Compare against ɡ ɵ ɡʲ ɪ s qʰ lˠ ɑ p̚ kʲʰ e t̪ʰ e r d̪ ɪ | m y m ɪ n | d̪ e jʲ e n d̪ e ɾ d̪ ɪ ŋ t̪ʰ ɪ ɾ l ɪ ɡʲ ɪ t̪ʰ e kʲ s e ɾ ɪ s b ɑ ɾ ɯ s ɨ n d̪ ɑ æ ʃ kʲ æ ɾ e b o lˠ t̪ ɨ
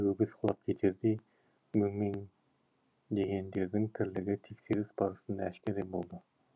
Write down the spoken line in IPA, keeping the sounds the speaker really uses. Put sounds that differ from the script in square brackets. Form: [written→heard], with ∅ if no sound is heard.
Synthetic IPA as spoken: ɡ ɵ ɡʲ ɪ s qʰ lˠ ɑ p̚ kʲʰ e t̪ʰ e [r→ɾ] d̪ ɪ | m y m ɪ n | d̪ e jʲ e n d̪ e ɾ d̪ ɪ ŋ t̪ʰ ɪ ɾ l ɪ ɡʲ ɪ t̪ʰ e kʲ s e ɾ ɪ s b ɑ ɾ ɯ s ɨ n d̪ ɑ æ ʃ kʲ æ ɾ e b o lˠ [t̪→d̪] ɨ

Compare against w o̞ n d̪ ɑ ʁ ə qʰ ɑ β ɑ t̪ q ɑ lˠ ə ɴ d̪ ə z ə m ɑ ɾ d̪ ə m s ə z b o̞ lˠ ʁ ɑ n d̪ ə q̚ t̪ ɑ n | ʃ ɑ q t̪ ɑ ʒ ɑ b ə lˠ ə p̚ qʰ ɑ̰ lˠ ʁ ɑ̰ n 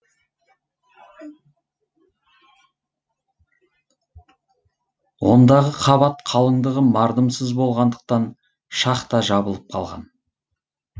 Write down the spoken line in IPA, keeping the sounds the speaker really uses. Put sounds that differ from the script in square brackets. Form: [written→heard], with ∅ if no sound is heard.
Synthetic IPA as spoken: w o̞ n d̪ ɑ ʁ ə qʰ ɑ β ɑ t̪ [q→qʰ] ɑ lˠ ə ɴ d̪ ə [z→ʁ] ə m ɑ ɾ d̪ ə m s ə z b o̞ lˠ ʁ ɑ n d̪ ə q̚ t̪ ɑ n | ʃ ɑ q t̪ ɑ ʒ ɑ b ə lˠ ə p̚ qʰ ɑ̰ lˠ ʁ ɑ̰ n

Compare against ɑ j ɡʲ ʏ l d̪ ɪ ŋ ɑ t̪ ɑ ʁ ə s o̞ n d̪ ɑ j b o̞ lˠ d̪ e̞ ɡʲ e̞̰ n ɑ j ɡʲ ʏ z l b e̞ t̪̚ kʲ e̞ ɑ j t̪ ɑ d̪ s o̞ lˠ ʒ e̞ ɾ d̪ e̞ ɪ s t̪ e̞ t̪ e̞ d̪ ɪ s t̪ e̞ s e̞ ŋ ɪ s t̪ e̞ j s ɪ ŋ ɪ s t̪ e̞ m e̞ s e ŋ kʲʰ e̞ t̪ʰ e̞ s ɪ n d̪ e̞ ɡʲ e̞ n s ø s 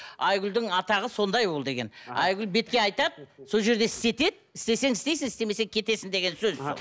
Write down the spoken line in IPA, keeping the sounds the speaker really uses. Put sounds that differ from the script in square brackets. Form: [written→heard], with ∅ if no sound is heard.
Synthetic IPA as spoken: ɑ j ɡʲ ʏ l d̪ ɪ ŋ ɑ t̪ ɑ ʁ ə s o̞ n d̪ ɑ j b o̞ lˠ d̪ e̞ ɡʲ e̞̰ n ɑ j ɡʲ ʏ [z→∅] l b e̞ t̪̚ kʲ e̞ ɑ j t̪ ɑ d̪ s o̞ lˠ ʒ e̞ ɾ d̪ e̞ ɪ s t̪ e̞ t̪ e̞ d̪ ɪ s t̪ e̞ s e̞ ŋ ɪ s t̪ e̞ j s ɪ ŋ ɪ s t̪ e̞ m e̞ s e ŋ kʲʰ e̞ [t̪ʰ→t̪] e̞ s ɪ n d̪ e̞ ɡʲ e̞ n s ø [s→z]

